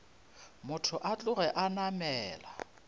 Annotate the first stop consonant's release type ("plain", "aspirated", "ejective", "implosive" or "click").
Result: aspirated